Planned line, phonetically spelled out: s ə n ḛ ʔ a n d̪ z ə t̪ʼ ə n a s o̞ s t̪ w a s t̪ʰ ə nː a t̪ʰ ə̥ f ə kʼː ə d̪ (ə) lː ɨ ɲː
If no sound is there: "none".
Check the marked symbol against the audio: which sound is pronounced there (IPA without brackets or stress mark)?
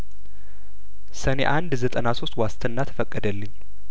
ə